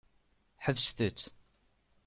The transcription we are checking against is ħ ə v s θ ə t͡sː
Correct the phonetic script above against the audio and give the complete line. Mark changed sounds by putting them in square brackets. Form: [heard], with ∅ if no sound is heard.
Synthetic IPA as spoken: ħ ə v s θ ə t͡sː